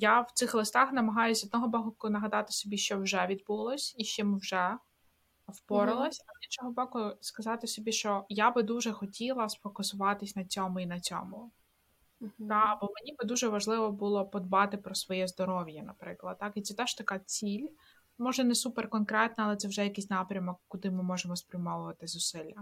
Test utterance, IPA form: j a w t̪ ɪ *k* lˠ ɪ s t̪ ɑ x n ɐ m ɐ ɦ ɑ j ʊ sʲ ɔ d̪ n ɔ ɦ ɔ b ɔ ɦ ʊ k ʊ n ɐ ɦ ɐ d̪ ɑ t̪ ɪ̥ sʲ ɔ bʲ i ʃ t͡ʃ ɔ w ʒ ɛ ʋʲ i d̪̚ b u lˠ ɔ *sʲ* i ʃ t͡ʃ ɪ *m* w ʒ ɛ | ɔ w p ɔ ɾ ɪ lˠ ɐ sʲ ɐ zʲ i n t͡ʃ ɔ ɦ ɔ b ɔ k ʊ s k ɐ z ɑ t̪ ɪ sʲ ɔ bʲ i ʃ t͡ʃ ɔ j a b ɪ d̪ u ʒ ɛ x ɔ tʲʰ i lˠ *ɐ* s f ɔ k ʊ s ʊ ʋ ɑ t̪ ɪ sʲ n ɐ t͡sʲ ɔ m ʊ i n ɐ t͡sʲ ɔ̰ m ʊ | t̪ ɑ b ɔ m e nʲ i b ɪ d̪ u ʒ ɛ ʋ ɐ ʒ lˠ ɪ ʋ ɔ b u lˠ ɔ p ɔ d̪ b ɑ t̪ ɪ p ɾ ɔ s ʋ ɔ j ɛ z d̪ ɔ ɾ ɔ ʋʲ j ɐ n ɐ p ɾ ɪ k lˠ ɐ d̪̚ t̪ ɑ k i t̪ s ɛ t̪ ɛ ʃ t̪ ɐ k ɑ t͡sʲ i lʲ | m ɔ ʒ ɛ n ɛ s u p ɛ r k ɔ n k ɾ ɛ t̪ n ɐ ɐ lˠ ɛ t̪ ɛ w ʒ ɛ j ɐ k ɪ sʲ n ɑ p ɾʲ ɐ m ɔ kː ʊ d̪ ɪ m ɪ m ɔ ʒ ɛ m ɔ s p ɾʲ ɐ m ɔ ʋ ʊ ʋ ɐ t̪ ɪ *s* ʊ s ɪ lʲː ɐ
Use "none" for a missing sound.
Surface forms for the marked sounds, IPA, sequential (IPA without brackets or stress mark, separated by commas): x, sʲ, m, ɐ, z